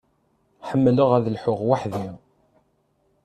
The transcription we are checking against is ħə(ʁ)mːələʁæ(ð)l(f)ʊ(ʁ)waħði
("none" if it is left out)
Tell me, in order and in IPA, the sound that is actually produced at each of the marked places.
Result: none, ð, ħ, ʁ

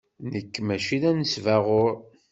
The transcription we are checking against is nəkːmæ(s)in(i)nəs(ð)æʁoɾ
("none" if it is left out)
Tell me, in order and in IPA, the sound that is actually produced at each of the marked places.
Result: ʃ, æ, v

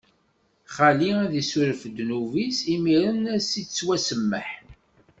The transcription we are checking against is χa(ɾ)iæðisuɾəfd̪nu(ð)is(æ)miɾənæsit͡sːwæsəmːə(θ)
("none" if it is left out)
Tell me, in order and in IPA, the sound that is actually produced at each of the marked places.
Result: l, v, i, ħ

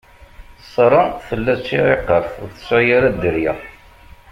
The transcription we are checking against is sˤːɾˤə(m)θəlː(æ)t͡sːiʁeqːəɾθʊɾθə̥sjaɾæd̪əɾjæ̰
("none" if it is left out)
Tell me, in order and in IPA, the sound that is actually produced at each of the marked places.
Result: n, æ

